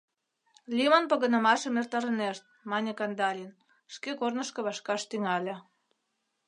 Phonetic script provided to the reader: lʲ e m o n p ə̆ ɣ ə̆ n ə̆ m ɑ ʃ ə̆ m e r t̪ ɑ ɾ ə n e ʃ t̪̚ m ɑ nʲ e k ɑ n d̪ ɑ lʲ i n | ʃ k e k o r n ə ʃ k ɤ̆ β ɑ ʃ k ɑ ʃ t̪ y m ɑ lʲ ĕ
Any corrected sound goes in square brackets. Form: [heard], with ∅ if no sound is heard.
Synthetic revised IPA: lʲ [i] m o n p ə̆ ɣ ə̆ n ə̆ m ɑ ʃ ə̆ m e r t̪ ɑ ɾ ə n e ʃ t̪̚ m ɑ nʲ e k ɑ n d̪ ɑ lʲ i n | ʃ k e k o r n ə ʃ k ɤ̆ β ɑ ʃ k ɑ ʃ t̪ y [ŋ] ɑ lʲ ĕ